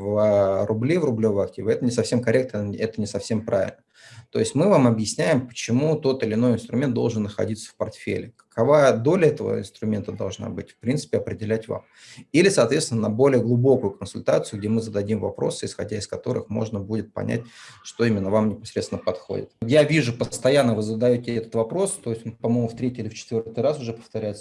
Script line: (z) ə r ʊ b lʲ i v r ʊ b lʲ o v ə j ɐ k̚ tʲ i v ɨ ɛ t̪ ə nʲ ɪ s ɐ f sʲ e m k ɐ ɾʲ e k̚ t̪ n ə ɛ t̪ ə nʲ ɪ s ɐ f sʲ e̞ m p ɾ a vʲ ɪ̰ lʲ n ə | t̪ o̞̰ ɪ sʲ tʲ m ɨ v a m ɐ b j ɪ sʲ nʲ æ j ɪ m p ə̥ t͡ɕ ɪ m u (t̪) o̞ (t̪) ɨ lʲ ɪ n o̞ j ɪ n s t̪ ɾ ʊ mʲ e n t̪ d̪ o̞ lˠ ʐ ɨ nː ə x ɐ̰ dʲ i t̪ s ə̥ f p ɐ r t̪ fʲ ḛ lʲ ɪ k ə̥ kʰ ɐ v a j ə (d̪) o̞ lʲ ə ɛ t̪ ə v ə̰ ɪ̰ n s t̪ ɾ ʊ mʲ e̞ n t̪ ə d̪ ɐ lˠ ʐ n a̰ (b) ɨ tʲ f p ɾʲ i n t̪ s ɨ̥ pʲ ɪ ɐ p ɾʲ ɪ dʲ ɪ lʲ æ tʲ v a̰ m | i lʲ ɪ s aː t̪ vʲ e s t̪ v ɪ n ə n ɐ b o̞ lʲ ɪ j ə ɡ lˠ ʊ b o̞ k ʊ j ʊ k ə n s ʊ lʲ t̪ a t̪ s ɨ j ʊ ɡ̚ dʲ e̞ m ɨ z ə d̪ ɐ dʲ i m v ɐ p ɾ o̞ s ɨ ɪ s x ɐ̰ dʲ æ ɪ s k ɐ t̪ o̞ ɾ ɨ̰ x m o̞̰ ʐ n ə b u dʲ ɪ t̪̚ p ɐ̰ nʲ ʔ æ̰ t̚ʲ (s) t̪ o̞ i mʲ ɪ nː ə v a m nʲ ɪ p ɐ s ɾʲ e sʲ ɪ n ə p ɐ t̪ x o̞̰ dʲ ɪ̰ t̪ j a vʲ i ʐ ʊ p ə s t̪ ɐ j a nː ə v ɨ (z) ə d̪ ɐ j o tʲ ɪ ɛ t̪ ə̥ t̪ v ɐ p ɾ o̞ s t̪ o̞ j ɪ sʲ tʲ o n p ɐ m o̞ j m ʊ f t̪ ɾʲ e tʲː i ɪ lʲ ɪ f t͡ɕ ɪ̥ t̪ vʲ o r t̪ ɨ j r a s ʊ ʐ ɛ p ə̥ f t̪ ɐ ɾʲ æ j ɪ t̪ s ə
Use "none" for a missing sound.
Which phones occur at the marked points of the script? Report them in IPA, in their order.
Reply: v, t̪, t̪, d̪, b, ʂ, z

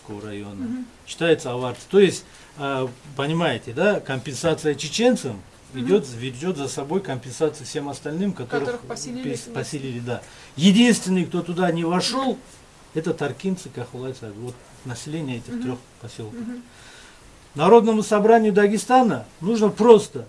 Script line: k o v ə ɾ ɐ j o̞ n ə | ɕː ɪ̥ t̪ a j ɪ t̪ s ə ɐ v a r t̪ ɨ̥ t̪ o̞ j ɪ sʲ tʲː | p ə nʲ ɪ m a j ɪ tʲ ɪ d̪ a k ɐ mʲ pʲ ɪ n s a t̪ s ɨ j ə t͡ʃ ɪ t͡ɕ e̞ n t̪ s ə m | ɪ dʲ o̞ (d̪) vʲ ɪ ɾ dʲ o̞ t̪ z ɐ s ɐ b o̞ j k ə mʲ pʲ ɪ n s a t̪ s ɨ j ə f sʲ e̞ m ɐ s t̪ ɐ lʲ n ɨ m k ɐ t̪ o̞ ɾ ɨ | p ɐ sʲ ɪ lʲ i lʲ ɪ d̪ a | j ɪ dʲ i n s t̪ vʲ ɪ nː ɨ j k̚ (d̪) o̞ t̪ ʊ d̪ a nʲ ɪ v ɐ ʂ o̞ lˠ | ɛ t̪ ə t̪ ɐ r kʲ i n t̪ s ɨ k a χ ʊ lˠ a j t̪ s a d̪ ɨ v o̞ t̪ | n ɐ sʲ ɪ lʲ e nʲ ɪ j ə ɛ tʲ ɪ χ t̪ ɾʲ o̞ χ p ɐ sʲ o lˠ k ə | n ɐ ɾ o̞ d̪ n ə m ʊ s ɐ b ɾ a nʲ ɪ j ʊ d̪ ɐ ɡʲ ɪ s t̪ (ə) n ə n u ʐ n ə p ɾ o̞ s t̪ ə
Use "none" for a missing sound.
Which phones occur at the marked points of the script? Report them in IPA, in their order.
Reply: t̪, t̪, a

